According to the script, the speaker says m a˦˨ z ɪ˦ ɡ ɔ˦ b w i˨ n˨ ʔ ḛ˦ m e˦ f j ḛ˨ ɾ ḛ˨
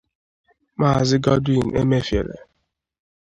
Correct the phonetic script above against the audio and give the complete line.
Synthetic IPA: m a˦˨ z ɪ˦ ɡ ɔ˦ d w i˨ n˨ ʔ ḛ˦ m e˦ f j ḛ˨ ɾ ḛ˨